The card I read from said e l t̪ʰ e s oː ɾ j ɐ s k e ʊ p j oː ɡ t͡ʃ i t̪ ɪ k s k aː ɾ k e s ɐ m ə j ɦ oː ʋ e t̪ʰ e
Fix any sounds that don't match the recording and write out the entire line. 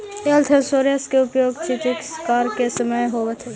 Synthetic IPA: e l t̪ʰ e s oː ɾ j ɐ s k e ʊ p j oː ɡ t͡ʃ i t̪ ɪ k s k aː ɾ k e s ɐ m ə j ɦ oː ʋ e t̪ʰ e